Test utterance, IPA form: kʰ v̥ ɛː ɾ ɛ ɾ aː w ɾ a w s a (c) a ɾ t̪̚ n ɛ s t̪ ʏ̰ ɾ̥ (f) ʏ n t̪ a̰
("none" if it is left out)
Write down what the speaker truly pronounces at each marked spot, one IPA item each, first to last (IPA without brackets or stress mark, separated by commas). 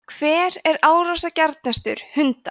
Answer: c, h